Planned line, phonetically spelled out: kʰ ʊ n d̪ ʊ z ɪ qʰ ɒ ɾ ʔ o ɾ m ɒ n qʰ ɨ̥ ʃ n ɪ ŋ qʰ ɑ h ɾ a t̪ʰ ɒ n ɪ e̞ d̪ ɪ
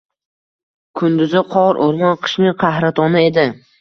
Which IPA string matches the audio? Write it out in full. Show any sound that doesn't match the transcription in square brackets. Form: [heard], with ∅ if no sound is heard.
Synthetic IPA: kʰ ʊ n d̪ ʊ z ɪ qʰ ɒ ɾ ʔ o ɾ m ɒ n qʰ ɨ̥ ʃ n ɪ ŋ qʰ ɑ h ɾ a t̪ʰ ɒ n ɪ e̞ d̪ ɪ